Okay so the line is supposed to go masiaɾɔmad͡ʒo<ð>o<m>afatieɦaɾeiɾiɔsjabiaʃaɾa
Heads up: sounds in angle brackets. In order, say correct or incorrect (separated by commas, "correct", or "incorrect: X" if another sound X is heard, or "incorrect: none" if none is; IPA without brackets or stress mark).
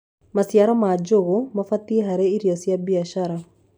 incorrect: ɣ, correct